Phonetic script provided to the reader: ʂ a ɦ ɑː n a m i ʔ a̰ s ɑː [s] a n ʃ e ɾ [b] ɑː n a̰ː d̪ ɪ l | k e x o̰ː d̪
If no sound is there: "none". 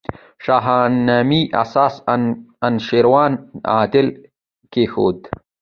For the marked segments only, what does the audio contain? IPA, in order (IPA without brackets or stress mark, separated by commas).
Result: s, w